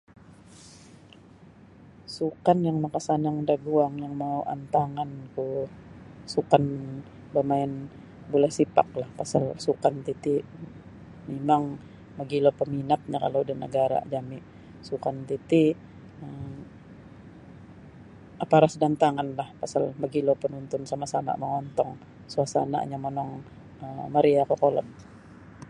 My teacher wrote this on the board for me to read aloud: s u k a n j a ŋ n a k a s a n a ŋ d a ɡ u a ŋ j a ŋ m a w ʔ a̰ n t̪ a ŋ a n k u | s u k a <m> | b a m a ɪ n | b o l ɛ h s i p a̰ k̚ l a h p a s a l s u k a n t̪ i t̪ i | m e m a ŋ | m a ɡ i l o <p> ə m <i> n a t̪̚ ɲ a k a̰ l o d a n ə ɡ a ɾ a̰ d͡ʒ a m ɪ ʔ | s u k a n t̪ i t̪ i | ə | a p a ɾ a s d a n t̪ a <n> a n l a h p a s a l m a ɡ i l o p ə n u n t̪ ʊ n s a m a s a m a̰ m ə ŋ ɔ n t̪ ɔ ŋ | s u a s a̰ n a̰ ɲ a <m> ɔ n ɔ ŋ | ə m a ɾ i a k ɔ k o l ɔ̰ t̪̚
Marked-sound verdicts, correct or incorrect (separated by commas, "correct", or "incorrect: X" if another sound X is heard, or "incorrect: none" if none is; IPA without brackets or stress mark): incorrect: n, correct, correct, incorrect: ŋ, correct